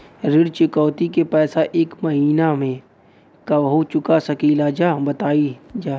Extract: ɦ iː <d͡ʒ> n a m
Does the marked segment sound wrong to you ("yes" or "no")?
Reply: yes